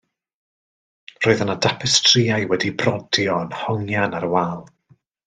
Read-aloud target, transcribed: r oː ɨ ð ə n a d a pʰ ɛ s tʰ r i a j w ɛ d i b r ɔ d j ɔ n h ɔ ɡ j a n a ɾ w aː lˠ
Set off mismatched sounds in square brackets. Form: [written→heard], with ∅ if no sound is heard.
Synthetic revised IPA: r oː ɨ ð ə n a d a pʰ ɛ s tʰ r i a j w ɛ d i b r ɔ d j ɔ n h ɔ [ɡ→ŋ] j a n a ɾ w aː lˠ